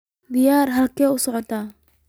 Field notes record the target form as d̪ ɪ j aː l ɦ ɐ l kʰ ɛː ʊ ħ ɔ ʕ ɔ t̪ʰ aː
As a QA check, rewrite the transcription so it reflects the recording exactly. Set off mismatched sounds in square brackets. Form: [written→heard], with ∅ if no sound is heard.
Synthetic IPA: d̪ ɪ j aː [l→r] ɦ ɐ l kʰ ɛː ʊ [ħ→s] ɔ ʕ ɔ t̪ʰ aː